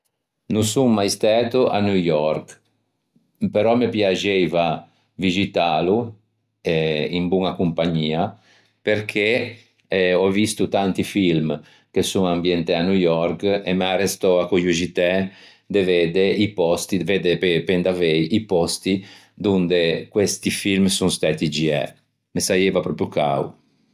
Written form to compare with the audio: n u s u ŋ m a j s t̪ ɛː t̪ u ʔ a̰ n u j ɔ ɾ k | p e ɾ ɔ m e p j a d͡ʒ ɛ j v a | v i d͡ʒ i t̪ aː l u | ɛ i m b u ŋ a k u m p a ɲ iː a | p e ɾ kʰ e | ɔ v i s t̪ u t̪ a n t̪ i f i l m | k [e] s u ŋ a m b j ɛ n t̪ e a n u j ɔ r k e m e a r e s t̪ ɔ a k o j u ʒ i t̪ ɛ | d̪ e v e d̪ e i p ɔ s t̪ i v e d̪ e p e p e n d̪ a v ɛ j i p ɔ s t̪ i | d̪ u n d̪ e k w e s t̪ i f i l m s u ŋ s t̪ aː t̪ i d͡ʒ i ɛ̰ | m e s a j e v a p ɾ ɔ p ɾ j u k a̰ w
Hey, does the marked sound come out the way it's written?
yes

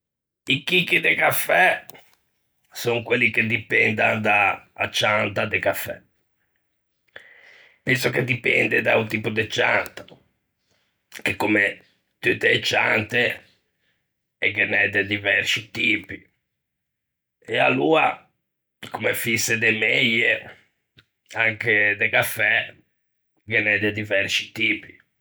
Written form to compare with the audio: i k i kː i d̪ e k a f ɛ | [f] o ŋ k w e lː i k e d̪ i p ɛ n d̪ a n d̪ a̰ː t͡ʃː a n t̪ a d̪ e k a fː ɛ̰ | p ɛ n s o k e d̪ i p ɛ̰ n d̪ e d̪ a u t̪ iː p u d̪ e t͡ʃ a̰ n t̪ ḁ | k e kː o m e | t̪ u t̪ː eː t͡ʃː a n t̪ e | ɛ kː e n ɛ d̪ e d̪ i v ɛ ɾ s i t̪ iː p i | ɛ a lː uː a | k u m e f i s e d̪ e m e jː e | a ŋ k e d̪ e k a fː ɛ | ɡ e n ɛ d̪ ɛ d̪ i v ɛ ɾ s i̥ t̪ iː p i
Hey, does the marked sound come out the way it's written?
no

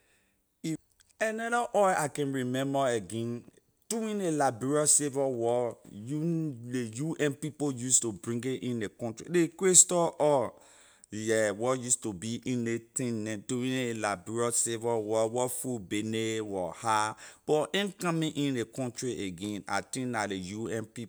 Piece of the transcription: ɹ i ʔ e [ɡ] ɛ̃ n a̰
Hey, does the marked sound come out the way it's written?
yes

